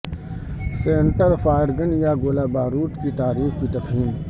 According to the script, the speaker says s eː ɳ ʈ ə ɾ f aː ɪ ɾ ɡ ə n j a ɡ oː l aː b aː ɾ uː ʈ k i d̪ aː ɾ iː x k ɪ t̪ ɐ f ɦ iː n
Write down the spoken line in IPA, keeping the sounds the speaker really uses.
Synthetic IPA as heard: s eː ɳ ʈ ə ɾ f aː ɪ ɾ ɡ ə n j a ɡ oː l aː b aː ɾ uː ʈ k i t̪ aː ɾ iː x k i t̪ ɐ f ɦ iː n